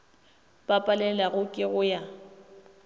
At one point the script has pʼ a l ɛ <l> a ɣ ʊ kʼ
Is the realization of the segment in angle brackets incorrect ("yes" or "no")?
no